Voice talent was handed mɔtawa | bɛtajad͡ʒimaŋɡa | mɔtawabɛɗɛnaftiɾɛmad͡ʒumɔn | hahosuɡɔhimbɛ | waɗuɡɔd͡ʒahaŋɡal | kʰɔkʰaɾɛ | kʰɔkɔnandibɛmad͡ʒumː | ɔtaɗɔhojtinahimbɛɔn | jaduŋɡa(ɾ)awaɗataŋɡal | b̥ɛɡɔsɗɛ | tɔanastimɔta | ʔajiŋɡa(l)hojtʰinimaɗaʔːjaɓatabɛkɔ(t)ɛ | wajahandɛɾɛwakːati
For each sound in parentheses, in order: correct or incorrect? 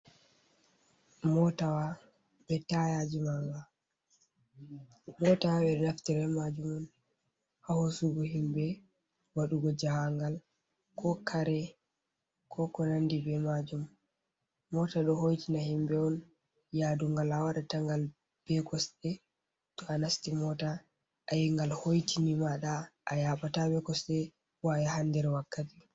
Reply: incorrect, correct, incorrect

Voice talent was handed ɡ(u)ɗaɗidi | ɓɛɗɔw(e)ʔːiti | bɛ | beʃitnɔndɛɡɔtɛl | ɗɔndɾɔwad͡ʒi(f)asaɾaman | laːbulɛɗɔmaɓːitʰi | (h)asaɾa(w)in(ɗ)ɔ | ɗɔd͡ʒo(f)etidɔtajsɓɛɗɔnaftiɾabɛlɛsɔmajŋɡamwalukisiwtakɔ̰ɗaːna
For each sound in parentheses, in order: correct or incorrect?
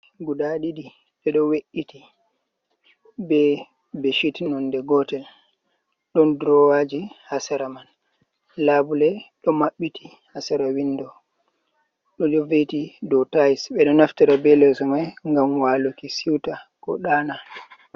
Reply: correct, correct, incorrect, correct, correct, incorrect, incorrect

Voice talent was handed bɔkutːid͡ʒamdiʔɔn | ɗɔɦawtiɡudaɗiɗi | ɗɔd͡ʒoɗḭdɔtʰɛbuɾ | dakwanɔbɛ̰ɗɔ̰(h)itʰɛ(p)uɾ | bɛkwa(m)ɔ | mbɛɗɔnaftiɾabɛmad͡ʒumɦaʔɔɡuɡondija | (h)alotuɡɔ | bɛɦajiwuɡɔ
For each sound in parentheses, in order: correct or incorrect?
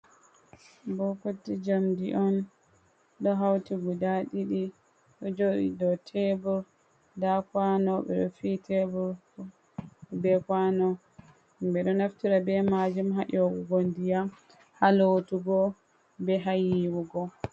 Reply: incorrect, incorrect, incorrect, correct

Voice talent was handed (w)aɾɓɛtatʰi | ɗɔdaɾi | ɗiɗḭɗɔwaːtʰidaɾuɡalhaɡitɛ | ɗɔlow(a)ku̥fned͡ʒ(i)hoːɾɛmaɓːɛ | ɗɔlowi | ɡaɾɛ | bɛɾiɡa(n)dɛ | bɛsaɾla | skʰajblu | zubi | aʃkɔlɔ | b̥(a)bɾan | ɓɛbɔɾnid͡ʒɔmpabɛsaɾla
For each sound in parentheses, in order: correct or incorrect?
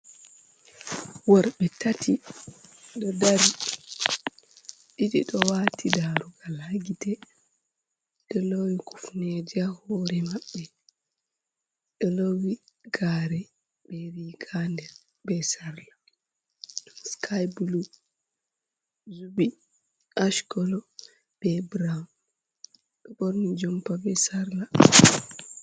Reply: correct, incorrect, incorrect, correct, incorrect

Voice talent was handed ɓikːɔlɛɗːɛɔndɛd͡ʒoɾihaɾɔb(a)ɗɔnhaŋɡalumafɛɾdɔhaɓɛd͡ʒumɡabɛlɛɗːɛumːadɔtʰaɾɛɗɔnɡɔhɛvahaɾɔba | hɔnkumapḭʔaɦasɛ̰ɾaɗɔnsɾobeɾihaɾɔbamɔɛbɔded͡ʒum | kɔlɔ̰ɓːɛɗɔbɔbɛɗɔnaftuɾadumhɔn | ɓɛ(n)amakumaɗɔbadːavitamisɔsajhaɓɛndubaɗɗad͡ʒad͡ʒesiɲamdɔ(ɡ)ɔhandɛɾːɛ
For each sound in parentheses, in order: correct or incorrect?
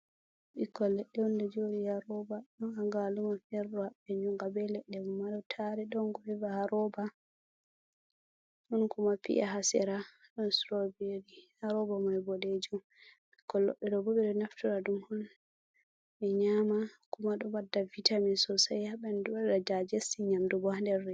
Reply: correct, incorrect, incorrect

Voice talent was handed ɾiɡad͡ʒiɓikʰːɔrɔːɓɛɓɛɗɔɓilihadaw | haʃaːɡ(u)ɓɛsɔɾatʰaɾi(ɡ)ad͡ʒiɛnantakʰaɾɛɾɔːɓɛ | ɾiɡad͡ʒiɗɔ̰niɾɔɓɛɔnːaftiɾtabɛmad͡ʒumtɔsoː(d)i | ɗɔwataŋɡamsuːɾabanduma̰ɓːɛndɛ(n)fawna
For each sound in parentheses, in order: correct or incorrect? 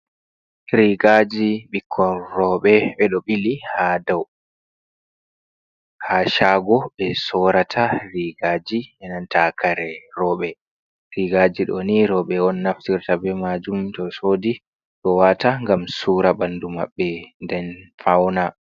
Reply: incorrect, correct, correct, correct

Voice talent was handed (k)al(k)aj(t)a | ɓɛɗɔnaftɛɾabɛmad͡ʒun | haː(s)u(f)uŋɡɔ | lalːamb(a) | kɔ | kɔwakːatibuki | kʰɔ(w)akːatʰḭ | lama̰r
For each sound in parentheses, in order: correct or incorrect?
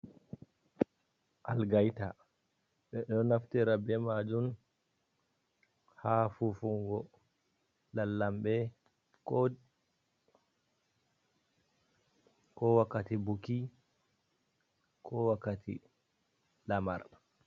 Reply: incorrect, incorrect, correct, incorrect, correct, incorrect, correct

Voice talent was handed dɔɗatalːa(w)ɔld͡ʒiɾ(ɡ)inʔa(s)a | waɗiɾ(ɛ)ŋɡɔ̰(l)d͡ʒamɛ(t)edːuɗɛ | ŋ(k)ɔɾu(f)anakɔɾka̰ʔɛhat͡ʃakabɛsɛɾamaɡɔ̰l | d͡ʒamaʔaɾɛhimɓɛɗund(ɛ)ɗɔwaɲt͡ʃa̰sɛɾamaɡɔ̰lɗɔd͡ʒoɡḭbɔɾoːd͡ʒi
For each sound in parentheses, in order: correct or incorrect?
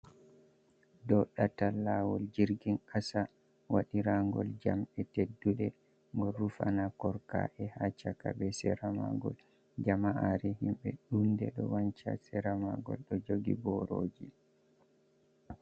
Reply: correct, correct, correct, incorrect, correct, correct, incorrect, correct, correct

